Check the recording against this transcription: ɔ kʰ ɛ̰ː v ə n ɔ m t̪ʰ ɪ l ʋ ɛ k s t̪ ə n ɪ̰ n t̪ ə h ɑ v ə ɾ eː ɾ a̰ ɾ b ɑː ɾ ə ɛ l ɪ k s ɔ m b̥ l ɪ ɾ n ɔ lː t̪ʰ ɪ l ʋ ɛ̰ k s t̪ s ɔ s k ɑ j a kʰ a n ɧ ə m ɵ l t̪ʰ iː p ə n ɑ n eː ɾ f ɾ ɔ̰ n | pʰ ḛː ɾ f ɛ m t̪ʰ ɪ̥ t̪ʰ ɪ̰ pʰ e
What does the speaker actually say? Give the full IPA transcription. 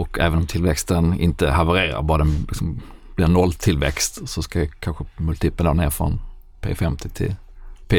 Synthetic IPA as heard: ɔ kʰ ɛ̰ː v ə n ɔ m t̪ʰ ɪ l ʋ ɛ k s t̪ ə n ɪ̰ n t̪ ə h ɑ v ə ɾ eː ɾ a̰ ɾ b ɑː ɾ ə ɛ l ɪ k s ɔ m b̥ l ɪ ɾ n ɔ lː t̪ʰ ɪ l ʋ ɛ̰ k s t̪ s ɔ s k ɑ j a kʰ a n ɧ ə m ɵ l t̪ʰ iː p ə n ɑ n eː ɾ f ɾ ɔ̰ n | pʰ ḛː f ɛ m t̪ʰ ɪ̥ t̪ʰ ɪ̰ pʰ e